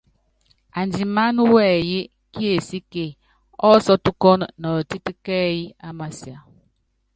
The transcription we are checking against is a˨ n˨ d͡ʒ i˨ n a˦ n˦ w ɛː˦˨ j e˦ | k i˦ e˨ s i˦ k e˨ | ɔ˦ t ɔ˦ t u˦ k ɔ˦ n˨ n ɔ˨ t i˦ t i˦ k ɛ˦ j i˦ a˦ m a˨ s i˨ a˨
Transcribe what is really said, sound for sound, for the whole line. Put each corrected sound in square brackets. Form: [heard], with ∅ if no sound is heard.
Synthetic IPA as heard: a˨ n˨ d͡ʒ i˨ [m] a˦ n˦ w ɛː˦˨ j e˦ | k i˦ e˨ s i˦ k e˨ | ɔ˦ [s] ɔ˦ t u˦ k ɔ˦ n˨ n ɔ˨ t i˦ t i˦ k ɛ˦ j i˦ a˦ m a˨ s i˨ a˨